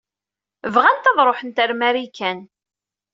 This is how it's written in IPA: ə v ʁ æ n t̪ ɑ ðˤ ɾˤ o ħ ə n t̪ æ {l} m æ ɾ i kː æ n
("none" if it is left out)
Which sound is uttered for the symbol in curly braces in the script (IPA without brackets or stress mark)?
ɾ